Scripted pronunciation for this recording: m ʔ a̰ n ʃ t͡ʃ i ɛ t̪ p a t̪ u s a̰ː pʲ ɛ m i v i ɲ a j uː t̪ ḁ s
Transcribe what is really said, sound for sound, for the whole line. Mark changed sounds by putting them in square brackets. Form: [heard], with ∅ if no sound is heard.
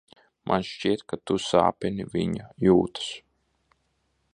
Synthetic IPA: m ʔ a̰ n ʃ t͡ʃ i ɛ t̪ [k] a t̪ u s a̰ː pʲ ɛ [n] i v i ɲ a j uː t̪ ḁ s